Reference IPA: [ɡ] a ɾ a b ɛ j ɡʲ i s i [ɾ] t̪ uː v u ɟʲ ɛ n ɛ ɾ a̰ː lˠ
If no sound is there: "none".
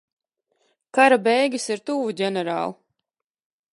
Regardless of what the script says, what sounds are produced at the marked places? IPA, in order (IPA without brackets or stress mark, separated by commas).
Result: k, ɾ